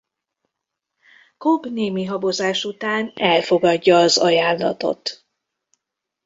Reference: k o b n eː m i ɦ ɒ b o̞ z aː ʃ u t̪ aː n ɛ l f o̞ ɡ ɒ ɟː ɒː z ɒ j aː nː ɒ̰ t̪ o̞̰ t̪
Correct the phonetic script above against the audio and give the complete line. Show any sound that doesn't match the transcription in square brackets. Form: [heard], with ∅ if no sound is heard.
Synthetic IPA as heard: k o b n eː m i ɦ ɒ b o̞ z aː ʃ u t̪ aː n ɛ l f o̞ ɡ ɒ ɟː ɒː z ɒ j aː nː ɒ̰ t̪ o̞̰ t̪